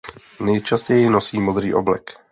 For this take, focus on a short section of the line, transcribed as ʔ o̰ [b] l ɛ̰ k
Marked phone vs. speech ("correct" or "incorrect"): correct